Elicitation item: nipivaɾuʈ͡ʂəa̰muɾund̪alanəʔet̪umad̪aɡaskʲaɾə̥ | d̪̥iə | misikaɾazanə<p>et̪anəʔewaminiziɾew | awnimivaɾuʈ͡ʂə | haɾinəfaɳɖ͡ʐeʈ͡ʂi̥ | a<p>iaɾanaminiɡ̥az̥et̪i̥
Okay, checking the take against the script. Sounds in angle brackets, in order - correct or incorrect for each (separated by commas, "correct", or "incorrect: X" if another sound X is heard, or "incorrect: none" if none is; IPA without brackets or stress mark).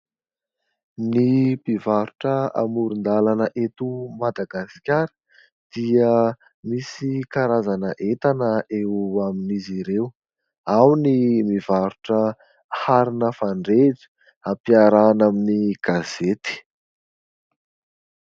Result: incorrect: ʔ, correct